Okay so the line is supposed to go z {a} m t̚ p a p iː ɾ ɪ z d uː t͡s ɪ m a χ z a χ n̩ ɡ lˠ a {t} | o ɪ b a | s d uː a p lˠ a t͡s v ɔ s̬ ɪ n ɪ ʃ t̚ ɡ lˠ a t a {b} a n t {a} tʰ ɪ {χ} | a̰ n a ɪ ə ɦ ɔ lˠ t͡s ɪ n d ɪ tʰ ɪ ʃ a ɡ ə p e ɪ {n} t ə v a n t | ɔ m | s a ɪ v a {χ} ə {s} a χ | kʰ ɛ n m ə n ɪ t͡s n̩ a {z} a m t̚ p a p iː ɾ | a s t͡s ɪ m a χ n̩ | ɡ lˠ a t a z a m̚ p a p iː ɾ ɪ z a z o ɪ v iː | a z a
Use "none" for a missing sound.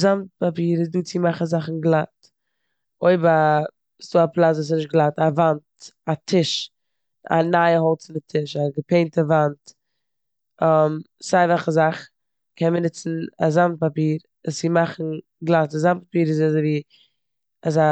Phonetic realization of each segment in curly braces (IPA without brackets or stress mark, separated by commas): a, t, v, a, ʃ, n, χ, z, z